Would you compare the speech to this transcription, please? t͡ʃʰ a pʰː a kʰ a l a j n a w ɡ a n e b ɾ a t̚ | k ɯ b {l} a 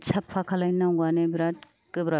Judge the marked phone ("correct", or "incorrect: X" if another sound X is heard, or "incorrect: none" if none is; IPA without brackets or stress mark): incorrect: ɾ